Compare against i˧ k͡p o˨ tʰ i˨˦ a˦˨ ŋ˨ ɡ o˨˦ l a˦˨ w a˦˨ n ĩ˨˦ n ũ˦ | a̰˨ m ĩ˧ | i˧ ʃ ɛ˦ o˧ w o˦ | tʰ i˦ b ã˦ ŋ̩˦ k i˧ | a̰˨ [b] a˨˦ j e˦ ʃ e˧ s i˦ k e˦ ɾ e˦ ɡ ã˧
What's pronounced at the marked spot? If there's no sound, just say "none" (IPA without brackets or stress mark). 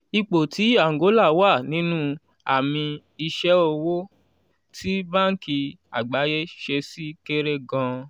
ɡ͡b